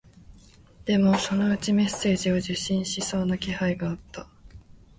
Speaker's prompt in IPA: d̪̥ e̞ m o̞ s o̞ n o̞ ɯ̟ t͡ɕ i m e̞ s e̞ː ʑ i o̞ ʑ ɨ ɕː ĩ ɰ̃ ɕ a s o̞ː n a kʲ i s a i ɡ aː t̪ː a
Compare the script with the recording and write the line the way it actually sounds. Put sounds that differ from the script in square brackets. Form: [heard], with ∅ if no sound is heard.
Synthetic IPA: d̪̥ e̞ m o̞ s o̞ n o̞ ɯ̟ t͡ɕ i m e̞ s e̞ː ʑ i o̞ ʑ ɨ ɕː ĩ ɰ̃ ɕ [i] s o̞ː n a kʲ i [h] a i ɡ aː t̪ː a